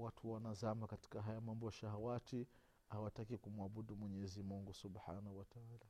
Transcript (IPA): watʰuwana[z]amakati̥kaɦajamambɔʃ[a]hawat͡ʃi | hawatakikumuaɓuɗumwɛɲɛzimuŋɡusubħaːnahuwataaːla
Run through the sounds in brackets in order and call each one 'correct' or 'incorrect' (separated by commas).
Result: correct, correct